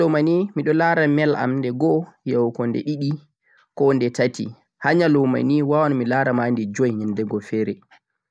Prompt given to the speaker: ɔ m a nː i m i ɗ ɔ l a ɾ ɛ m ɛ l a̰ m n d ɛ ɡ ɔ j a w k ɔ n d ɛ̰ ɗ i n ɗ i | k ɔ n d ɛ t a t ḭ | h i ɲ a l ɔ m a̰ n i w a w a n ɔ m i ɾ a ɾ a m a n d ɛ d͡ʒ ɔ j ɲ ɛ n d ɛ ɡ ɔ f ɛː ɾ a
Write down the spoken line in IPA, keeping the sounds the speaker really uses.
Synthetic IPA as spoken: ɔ m a n i m i ɗ ɔ l a ɾ a m ɛ l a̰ m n d ɛ ɡ ɔ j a w k ɔ n d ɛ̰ ɗ i ɗ i | k ɔ n d ɛ t a t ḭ | h a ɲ a l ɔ m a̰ n i w a w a n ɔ m i l a ɾ a m a n d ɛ d͡ʒ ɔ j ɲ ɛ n d ɛ ɡ ɔ f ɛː ɾ ɛ